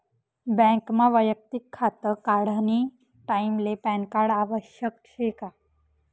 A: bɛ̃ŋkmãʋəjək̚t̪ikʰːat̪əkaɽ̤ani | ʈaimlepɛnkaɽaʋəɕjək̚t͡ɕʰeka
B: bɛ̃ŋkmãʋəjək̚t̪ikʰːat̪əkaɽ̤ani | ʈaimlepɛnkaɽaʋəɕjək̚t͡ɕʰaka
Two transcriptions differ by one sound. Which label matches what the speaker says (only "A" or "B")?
A